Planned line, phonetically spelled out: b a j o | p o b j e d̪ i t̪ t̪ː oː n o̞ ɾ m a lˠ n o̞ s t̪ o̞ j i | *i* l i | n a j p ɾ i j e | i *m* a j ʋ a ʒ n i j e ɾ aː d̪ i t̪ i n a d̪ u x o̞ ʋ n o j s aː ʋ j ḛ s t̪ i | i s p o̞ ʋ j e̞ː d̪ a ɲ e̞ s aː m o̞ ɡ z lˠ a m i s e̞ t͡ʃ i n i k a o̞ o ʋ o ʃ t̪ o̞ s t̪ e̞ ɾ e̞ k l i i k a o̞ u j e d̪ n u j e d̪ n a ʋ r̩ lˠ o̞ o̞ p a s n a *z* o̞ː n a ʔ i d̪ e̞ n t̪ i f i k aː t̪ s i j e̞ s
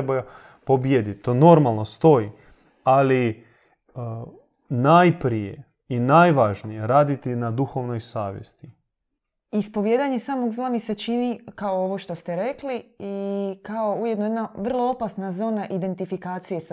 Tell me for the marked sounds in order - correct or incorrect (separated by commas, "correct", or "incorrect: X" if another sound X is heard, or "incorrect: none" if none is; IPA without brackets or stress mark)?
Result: incorrect: a, incorrect: n, correct